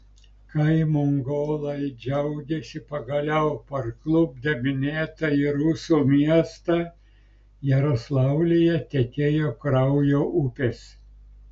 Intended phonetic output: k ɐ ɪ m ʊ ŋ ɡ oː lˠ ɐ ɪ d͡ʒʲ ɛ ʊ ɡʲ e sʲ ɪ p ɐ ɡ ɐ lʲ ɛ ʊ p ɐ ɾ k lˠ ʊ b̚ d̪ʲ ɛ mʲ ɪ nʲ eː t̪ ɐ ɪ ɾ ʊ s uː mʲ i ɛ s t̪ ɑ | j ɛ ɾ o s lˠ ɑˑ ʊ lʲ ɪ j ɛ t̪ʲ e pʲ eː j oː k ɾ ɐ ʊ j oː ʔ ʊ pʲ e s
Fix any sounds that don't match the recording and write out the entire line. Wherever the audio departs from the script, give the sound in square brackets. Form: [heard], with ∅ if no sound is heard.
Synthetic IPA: k ɐ ɪ m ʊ ŋ ɡ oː lˠ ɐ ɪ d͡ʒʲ ɛ ʊ ɡʲ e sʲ ɪ p ɐ ɡ ɐ lʲ ɛ ʊ p ɐ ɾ k lˠ ʊ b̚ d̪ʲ ɛ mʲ ɪ nʲ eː t̪ ɐ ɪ ɾ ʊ s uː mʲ i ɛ s t̪ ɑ | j ɛ ɾ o s lˠ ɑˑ ʊ lʲ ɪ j ɛ t̪ʲ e [kʲ] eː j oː k ɾ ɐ ʊ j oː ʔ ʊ pʲ e s